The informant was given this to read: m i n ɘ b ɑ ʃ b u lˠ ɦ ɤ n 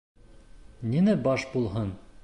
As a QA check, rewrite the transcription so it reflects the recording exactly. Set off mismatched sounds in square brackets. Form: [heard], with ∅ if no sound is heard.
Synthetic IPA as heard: [n] i n ɘ b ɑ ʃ b u lˠ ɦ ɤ n